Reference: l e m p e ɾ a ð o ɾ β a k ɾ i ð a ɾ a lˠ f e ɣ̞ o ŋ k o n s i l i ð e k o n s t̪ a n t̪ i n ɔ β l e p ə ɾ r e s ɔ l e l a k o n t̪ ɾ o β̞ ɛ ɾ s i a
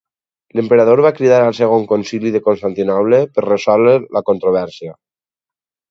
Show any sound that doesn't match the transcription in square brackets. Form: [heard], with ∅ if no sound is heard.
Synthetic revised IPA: l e m p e ɾ a ð o ɾ β a k ɾ i ð a ɾ a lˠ [s] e ɣ̞ o ŋ k o n s i l i ð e k o n s t̪ a n t̪ i n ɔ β l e p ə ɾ r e s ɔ l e l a k o n t̪ ɾ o β̞ ɛ ɾ s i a